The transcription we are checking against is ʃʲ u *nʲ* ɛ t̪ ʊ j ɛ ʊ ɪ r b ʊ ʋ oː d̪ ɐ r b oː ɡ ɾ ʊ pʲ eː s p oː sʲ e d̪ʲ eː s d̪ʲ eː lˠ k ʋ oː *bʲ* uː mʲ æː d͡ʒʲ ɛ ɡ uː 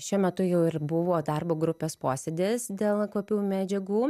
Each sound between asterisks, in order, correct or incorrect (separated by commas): incorrect, incorrect